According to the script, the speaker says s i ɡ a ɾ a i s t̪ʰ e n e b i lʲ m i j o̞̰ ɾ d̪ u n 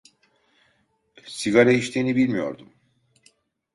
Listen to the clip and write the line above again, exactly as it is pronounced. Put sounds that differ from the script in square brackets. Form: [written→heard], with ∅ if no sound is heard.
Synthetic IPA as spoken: s i ɡ a ɾ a i [s→ʃ] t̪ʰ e n [e→i] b i lʲ m i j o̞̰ ɾ d̪ u [n→m]